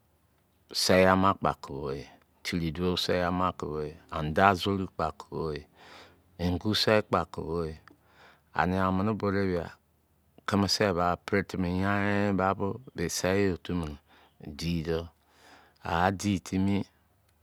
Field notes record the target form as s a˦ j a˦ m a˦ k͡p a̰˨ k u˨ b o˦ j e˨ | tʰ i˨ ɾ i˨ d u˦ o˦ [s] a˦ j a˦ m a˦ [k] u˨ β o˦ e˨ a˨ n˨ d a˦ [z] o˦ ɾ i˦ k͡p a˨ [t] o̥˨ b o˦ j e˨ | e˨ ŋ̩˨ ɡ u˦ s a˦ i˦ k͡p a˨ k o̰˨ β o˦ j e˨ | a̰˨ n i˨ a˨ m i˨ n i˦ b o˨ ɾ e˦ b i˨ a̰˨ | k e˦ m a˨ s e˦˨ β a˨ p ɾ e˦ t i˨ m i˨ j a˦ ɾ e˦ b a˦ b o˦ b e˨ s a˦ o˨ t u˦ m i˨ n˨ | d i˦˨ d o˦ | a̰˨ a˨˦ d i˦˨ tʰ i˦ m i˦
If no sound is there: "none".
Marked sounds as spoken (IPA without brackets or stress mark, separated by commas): s, k, z, k